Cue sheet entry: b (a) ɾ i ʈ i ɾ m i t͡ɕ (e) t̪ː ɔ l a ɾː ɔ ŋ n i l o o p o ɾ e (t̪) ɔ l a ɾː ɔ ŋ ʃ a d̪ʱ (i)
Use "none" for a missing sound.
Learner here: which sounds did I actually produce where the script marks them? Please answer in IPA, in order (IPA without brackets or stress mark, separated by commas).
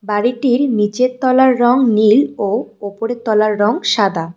a, e, t̪, a